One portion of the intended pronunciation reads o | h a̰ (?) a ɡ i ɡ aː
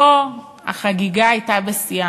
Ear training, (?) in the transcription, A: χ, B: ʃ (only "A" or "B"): A